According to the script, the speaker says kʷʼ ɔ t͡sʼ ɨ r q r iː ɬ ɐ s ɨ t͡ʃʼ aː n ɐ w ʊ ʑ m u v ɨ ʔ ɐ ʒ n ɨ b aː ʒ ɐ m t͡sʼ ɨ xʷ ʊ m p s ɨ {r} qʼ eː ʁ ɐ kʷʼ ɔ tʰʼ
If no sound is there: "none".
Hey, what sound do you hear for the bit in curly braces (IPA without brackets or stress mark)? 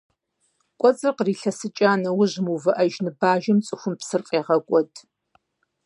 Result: r